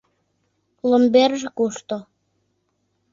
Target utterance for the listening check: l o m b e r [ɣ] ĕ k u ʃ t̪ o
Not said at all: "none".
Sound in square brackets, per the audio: ʒ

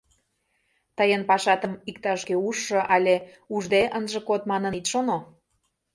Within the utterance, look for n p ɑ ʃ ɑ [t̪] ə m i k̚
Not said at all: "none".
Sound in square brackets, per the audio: t̪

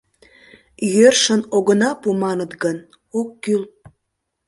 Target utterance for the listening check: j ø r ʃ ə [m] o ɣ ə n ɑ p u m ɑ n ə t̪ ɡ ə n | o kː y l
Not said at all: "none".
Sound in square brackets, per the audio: n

